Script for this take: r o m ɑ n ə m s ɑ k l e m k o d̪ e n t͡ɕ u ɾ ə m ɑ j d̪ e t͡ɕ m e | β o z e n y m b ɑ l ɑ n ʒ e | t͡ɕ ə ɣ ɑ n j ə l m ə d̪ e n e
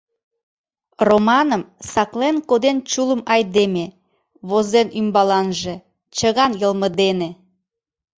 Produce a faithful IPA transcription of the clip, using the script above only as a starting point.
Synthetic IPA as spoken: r o m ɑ n ə m s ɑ k l e n k o d̪ e n t͡ɕ u l ə m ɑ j d̪ e m e | β o z e n y m b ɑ l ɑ n ʒ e | t͡ɕ ə ɣ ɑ n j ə l m ə d̪ e n e